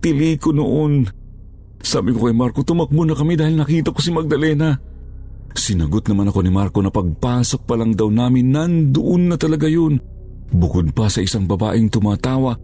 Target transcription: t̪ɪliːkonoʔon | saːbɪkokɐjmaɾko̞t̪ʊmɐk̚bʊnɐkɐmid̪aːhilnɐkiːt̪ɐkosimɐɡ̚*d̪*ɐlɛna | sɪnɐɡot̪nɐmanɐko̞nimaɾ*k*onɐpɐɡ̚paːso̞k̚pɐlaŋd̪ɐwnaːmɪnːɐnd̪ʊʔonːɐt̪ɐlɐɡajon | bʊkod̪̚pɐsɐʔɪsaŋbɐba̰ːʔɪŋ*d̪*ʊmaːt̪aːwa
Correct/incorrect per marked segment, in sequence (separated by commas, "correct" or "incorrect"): correct, correct, incorrect